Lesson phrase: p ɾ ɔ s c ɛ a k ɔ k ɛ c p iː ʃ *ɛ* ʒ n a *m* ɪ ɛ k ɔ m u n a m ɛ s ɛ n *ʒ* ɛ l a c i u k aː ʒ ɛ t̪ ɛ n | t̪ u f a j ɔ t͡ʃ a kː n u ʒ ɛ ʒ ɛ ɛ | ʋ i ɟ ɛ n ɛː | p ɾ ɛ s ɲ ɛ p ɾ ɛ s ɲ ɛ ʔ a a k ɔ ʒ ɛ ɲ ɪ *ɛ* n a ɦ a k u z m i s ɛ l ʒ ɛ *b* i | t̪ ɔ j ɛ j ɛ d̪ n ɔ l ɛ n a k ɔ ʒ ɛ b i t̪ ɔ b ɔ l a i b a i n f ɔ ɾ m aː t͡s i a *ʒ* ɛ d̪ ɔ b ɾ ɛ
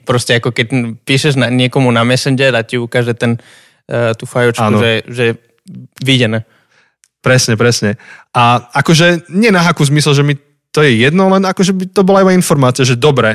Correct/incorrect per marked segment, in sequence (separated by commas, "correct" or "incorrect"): correct, incorrect, incorrect, correct, incorrect, correct